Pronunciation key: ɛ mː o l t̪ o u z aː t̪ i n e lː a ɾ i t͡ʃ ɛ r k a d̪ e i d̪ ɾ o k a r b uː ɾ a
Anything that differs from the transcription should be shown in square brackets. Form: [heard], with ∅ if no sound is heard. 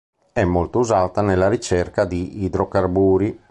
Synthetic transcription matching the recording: ɛ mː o l t̪ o u z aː t̪ [a] n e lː a ɾ i t͡ʃ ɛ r k a d̪ [i] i d̪ ɾ o k a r b uː ɾ [i]